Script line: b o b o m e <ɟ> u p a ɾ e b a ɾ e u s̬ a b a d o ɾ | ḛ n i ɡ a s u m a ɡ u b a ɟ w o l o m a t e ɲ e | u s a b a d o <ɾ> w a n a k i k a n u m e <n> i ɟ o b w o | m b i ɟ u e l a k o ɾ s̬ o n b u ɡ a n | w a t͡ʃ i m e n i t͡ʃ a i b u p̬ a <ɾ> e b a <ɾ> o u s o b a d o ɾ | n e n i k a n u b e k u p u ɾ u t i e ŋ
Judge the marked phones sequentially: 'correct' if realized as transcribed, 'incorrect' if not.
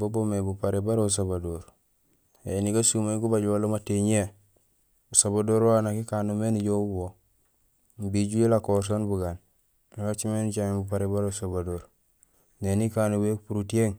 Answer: incorrect: b, correct, correct, correct, correct

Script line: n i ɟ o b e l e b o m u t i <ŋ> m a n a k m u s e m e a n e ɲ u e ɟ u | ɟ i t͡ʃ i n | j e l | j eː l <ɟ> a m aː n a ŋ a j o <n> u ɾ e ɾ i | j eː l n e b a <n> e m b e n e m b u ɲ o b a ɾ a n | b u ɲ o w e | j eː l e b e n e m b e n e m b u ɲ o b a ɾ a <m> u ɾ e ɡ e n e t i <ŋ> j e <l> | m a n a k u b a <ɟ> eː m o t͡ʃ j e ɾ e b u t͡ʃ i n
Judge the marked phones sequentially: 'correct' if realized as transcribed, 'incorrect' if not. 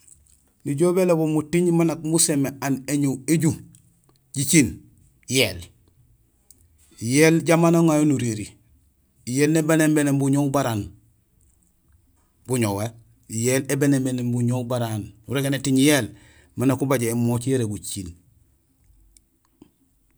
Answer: incorrect: ɲ, correct, correct, correct, incorrect: n, incorrect: ɲ, correct, correct

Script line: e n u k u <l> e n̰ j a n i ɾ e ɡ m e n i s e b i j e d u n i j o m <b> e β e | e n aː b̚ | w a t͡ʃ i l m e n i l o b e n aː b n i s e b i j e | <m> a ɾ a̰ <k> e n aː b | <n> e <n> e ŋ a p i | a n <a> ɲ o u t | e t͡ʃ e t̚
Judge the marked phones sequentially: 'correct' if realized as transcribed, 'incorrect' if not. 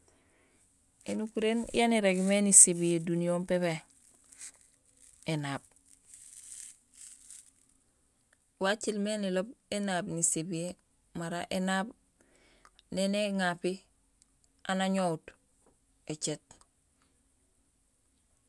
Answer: incorrect: ɾ, incorrect: p, correct, incorrect: ʔ, correct, correct, correct

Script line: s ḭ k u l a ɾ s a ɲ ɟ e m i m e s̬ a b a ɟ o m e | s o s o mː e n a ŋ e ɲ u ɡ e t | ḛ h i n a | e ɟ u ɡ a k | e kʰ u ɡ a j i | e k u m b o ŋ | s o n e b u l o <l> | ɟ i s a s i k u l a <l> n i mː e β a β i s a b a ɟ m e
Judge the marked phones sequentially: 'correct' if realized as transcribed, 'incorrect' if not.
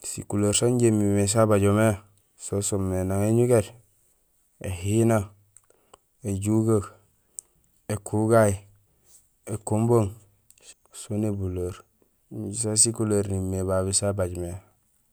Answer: incorrect: ɾ, incorrect: ɾ

